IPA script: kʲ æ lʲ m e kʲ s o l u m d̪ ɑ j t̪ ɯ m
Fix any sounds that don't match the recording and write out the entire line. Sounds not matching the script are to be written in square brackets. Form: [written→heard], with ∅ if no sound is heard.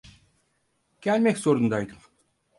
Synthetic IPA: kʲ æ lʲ m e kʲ s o [l→ɾ] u [m→n] d̪ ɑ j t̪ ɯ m